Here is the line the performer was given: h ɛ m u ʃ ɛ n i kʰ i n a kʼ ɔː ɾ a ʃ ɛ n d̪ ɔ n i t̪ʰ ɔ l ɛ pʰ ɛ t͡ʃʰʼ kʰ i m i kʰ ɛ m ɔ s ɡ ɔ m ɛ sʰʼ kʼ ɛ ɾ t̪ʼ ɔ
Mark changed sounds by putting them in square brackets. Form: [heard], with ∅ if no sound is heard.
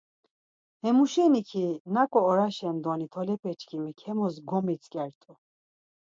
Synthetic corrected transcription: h ɛ m u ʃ ɛ n i kʰ i n a kʼ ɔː ɾ a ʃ ɛ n d̪ ɔ n i t̪ʰ ɔ l ɛ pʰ ɛ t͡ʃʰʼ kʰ i m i kʰ ɛ m ɔ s ɡ ɔ m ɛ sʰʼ kʼ ɛ ɾ t̪ʼ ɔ